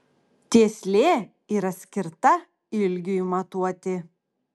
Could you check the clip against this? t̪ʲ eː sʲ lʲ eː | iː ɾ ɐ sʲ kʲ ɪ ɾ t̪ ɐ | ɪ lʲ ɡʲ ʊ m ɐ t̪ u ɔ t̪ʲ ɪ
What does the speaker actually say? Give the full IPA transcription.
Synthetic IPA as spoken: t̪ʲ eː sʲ lʲ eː | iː ɾ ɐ sʲ kʲ ɪ ɾ t̪ ɐ | ɪ lʲ ɡʲ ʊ m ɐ t̪ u ɔ t̪ʲ ɪ